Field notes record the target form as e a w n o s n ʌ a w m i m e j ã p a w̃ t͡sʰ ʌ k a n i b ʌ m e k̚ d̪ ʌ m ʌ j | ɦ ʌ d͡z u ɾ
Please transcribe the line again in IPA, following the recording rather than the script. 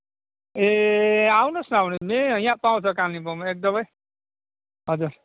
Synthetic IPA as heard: e a w n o s n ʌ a w n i m e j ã p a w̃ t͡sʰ ʌ k a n i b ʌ m e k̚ d̪ ʌ m ʌ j | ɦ ʌ d͡z u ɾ